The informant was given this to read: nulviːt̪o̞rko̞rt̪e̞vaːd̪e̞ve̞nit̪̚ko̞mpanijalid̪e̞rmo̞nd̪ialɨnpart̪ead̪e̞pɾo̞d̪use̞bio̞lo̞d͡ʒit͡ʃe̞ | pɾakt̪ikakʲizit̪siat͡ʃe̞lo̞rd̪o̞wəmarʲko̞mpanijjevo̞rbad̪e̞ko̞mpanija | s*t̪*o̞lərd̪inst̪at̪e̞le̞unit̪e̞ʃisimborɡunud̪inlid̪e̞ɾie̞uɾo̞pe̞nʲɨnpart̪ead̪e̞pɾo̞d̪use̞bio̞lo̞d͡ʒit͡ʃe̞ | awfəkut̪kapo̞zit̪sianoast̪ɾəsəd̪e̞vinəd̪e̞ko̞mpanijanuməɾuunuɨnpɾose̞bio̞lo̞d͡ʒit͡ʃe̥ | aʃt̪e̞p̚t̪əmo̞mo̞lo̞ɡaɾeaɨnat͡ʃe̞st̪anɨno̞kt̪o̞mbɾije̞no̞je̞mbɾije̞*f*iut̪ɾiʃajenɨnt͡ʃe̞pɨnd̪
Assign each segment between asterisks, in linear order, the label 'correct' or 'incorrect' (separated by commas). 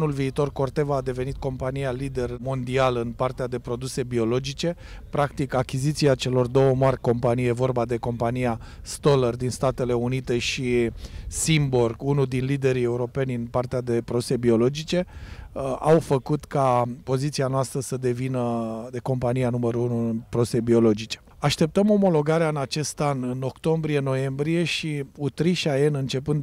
correct, incorrect